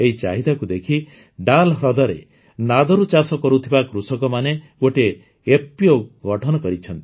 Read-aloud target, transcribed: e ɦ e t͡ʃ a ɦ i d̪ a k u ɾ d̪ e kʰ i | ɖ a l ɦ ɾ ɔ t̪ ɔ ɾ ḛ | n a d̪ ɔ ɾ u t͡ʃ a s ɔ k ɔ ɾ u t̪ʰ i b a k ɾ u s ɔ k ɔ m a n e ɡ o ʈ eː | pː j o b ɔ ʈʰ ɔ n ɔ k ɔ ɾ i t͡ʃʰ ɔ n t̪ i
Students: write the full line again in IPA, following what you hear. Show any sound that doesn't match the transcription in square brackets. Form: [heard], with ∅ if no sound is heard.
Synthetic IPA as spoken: e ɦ [i] t͡ʃ a ɦ i d̪ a k u [∅] d̪ e kʰ i | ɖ a l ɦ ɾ ɔ [d̪] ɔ ɾ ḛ | n a d̪ ɔ ɾ u t͡ʃ a s ɔ k ɔ ɾ u t̪ʰ i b a k ɾ u s ɔ k ɔ m a n e ɡ o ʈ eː | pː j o [ɡ] ɔ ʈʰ ɔ n ɔ k ɔ ɾ i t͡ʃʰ ɔ n t̪ i